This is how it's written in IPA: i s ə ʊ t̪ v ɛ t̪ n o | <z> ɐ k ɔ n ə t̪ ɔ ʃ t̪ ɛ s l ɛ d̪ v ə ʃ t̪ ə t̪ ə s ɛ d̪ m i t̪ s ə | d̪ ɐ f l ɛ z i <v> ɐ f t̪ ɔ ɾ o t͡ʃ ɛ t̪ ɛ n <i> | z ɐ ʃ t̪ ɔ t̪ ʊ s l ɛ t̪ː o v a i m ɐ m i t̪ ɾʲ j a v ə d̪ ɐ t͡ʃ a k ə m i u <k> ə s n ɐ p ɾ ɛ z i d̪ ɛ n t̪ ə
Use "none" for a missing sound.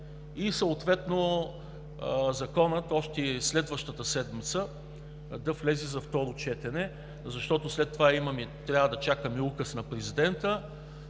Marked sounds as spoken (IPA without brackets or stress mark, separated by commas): z, z, ɛ, k